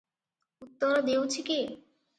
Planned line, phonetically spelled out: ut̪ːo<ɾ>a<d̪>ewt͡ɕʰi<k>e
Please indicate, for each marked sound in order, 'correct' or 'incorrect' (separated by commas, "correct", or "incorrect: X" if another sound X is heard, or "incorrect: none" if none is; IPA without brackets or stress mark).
correct, correct, correct